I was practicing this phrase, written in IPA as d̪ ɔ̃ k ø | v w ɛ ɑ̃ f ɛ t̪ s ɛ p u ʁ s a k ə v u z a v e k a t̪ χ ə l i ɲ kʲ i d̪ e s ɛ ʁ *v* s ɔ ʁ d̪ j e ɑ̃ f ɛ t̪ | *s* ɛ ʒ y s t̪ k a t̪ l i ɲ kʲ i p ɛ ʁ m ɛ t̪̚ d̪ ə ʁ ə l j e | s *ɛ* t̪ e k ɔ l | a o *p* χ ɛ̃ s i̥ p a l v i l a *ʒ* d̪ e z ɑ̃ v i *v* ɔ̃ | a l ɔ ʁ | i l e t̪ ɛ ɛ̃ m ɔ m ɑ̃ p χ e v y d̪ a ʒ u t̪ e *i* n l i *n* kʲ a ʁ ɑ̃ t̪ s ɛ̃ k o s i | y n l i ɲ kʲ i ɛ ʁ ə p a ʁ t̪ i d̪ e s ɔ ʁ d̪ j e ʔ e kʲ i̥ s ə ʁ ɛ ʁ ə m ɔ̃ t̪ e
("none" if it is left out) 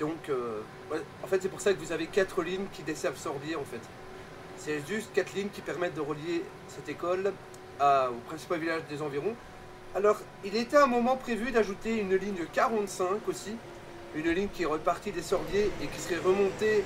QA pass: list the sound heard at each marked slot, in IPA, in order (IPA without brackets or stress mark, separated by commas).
v, s, ɛ, p, ʒ, ʁ, y, ɲ